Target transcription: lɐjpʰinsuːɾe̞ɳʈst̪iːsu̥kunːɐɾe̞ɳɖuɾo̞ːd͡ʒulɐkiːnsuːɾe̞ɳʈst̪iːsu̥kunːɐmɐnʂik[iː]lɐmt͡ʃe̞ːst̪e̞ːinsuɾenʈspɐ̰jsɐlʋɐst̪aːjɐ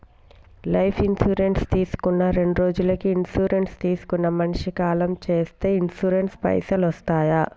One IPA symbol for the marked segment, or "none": aː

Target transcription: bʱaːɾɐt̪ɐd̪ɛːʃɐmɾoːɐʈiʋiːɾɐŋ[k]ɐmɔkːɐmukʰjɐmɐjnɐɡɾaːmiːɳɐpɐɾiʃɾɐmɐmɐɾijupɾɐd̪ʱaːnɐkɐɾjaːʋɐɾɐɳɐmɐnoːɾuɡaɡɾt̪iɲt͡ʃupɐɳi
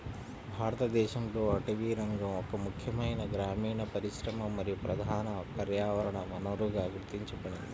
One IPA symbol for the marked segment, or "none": ɡ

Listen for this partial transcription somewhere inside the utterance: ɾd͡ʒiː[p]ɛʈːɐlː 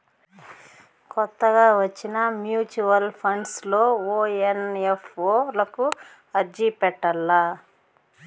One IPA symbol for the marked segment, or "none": p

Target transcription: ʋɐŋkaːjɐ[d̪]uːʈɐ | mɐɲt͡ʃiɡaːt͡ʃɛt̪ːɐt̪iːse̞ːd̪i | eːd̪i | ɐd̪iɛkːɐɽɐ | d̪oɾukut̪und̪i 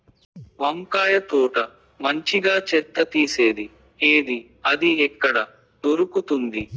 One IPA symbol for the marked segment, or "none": t̪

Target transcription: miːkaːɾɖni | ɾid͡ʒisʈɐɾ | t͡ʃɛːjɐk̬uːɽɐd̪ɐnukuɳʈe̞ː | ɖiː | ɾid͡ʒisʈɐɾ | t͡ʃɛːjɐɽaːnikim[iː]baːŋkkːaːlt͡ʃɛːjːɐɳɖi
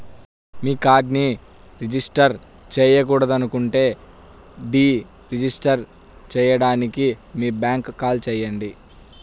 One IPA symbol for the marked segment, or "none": iː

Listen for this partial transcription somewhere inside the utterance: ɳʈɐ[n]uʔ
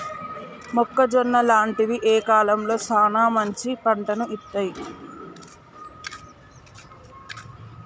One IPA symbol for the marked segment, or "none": n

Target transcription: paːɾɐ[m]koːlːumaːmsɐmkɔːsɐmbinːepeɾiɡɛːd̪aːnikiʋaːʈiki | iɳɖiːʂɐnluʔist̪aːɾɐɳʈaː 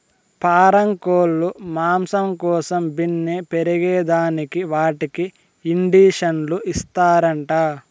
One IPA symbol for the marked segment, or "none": ŋ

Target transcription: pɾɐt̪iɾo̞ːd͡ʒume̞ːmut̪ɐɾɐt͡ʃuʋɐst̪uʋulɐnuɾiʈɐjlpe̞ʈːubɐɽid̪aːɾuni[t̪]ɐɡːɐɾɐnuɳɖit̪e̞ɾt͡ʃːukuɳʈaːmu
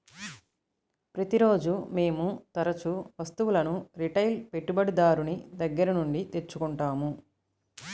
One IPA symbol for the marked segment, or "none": d̪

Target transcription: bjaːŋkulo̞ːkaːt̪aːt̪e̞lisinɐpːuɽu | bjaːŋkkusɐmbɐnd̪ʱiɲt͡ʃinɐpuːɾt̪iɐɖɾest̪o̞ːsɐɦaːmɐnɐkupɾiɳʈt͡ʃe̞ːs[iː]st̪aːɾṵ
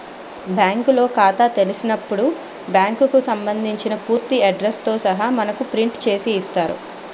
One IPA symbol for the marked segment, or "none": iː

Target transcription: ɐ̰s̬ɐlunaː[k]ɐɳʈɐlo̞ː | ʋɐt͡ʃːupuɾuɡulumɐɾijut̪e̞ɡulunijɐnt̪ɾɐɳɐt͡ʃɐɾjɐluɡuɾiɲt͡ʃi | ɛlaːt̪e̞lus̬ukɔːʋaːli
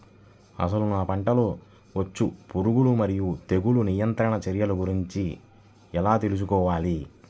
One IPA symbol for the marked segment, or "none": p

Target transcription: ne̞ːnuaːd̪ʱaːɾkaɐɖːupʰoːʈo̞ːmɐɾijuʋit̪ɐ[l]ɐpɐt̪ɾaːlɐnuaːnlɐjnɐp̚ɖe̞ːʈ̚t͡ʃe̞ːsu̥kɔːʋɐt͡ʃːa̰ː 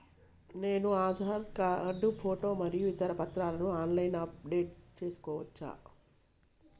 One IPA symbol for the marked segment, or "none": ɾ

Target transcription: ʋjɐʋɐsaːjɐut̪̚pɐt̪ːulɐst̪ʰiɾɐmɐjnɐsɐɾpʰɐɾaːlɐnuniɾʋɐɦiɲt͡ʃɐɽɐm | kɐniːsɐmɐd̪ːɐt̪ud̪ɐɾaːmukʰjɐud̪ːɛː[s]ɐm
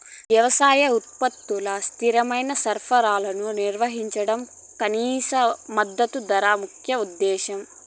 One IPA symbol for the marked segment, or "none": ʃ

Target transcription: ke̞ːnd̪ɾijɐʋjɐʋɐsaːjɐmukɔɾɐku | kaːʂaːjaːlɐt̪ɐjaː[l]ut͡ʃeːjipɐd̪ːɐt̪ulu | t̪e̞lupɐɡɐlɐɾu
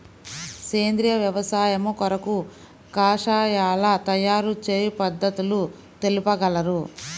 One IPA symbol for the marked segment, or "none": ɾ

